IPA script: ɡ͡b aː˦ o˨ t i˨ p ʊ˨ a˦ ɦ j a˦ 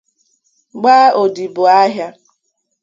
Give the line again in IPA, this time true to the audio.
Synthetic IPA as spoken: ɡ͡b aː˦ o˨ d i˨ b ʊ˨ a˦ ɦ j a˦